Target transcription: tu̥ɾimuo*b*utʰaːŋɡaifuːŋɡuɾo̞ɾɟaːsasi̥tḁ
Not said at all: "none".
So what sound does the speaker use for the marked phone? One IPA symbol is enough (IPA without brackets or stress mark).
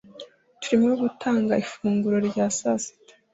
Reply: ɡ